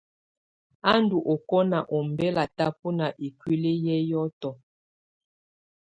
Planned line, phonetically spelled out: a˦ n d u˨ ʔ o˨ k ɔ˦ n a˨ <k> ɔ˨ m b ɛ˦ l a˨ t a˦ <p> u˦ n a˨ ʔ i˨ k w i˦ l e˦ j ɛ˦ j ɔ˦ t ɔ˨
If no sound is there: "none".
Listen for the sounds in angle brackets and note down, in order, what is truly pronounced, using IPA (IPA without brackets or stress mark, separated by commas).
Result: ʔ, p